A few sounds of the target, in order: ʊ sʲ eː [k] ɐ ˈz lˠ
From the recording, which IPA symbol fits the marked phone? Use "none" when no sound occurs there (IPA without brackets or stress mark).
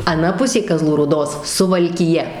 k